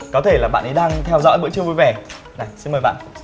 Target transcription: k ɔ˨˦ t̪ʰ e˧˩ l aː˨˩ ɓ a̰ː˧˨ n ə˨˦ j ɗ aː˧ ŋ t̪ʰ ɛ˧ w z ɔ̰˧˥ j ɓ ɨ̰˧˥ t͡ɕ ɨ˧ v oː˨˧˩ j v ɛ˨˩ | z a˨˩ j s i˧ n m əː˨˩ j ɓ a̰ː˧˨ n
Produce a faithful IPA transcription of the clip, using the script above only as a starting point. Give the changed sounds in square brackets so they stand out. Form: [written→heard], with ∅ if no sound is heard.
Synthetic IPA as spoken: k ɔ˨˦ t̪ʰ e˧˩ l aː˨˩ ɓ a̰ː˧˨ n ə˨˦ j ɗ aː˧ ŋ t̪ʰ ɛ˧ w z ɔ̰˧˥ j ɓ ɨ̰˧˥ t͡ɕ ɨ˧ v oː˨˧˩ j v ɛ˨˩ | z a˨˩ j s i˧ n m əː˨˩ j ɓ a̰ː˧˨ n